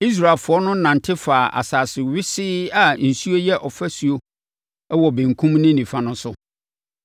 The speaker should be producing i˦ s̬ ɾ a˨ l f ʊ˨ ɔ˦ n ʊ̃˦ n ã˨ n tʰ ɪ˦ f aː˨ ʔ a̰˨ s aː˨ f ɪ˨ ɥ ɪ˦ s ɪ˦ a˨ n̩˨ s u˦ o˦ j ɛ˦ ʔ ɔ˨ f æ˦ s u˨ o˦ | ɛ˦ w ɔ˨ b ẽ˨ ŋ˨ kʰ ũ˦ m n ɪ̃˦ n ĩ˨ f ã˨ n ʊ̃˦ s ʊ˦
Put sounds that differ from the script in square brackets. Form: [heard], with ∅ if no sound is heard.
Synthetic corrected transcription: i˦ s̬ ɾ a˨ l f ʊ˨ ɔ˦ n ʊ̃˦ n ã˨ n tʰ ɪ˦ f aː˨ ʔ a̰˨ s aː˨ [s] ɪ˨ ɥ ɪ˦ s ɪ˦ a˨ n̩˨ s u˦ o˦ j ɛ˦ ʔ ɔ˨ f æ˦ s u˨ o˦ | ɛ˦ w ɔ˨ b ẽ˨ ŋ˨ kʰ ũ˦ m n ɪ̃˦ n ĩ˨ f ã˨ n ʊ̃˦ s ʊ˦

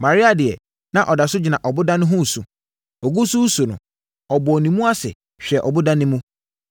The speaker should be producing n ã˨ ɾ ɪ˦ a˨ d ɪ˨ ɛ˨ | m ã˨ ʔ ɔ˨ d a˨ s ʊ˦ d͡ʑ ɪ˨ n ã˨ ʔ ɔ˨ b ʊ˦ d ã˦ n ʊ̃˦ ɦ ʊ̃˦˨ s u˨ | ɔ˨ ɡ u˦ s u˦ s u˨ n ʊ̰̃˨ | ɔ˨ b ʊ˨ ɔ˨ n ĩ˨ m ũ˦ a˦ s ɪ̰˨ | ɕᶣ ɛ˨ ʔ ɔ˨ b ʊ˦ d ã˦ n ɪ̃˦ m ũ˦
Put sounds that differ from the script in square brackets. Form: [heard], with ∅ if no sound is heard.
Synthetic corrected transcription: [m] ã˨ ɾ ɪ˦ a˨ d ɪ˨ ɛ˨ | [n] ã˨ ʔ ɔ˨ d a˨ s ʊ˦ d͡ʑ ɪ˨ n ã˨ ʔ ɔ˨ b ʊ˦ d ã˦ n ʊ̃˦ ɦ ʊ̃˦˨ s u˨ | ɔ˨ ɡ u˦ s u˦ s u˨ n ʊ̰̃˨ | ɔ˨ b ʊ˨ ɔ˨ n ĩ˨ m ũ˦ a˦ s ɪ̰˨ | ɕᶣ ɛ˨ ʔ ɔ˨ b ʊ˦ d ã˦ n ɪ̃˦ m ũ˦

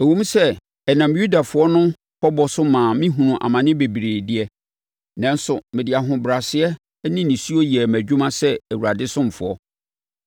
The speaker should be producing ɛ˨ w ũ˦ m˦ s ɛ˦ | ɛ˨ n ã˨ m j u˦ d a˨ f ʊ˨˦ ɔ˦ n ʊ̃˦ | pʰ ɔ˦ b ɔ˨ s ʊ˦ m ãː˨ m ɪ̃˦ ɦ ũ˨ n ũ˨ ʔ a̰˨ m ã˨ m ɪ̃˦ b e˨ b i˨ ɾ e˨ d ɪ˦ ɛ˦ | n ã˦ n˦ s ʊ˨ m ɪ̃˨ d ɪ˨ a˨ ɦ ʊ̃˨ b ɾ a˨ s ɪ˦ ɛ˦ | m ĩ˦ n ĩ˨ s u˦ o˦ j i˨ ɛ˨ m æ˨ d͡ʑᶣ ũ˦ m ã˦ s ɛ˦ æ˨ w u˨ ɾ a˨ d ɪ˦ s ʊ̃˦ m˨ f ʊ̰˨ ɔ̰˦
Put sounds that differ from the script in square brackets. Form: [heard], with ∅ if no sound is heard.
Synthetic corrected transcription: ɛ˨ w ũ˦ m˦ s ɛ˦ | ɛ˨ n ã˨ m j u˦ d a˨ f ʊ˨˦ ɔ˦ n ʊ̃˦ | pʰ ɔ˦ b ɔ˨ s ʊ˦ m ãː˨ m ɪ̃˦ ɦ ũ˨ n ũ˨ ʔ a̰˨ m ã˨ [n] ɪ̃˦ b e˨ b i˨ ɾ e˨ d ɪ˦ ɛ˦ | n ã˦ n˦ s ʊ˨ m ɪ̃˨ d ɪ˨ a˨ ɦ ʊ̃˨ b ɾ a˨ s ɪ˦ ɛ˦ | [n] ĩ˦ n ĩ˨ s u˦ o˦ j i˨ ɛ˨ m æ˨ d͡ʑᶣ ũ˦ m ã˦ s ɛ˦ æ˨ w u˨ ɾ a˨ d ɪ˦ s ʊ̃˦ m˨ f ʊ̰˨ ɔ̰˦

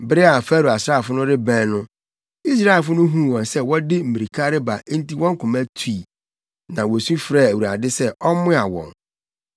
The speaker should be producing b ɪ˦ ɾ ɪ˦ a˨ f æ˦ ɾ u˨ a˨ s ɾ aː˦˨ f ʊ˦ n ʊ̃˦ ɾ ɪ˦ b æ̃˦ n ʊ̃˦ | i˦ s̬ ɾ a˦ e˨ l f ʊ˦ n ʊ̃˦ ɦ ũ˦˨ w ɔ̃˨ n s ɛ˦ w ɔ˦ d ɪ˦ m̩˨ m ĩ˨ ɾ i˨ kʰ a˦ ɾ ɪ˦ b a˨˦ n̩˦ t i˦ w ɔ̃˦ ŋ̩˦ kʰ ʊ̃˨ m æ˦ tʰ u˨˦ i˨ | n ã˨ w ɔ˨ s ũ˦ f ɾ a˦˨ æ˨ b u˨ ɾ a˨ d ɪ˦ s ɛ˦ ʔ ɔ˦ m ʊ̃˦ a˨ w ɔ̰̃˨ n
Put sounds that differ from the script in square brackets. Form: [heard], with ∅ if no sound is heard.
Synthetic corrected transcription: b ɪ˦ ɾ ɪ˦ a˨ f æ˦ ɾ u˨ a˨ s ɾ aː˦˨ f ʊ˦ n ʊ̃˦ ɾ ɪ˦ b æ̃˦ n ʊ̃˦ | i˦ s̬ ɾ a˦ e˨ l f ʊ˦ n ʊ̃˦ ɦ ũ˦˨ w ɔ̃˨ n s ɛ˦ w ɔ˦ d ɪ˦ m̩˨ m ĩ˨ ɾ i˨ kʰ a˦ ɾ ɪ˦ b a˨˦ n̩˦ t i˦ w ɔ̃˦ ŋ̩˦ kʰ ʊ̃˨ m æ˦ tʰ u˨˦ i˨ | n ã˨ w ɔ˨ s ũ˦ f ɾ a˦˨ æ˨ [w] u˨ ɾ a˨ d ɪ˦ s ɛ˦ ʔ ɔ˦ m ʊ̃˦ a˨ w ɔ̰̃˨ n

